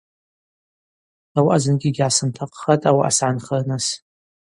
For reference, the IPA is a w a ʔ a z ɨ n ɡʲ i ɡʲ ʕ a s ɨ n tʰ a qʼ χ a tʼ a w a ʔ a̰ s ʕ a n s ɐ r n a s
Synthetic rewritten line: a w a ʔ a z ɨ n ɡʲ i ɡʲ ʕ a s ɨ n tʰ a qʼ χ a tʼ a w a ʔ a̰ s ʕ a n χ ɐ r n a s